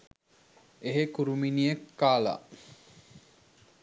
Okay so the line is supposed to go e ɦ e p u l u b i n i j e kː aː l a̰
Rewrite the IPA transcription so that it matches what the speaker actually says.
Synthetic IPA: e ɦ e k u ɾ u m i n i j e kː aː l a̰